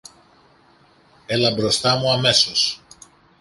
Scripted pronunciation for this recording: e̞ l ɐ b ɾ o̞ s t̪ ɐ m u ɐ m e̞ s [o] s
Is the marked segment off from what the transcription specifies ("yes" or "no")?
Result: no